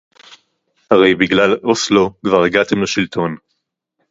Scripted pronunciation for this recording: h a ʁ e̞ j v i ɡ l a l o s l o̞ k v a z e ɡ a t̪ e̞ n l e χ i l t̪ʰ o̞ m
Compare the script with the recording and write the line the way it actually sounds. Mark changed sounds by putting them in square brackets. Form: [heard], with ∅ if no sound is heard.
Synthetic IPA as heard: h a ʁ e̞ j [b] i ɡ l a l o s l o̞ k v a [ʁ] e ɡ a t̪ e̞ [m] l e [ʃ] i l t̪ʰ o̞ [n]